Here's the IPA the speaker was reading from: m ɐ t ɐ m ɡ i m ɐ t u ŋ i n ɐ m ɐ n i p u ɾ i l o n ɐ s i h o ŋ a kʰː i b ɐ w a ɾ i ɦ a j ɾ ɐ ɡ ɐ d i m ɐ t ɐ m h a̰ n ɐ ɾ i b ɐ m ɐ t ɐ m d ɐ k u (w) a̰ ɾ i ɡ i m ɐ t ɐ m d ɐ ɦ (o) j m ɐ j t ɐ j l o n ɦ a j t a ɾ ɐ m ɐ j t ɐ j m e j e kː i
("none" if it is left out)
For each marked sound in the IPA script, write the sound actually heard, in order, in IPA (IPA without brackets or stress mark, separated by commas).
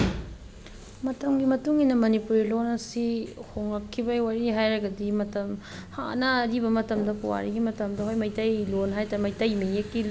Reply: w, o